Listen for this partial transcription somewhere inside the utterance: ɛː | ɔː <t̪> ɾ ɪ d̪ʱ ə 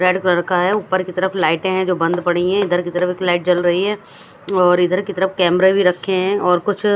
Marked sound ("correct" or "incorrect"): incorrect